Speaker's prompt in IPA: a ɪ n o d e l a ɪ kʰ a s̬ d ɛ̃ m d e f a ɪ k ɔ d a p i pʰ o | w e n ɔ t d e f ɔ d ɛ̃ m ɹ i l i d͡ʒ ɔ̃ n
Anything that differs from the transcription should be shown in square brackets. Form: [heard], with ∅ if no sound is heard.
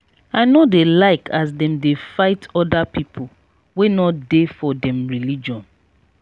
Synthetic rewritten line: a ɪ n o d e l a ɪ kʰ a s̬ d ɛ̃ m d e f a ɪ [t] ɔ d a p i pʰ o | w e n ɔ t d e f ɔ d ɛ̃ m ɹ i l i d͡ʒ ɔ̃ n